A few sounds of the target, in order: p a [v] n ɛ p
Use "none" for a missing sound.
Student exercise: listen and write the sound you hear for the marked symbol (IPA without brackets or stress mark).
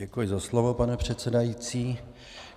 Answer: none